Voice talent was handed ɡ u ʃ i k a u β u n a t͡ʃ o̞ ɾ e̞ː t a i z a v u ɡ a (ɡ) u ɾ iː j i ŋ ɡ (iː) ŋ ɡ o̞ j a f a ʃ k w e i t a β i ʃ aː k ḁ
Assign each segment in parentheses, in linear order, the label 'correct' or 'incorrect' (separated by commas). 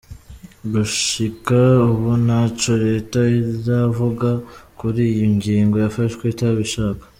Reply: incorrect, correct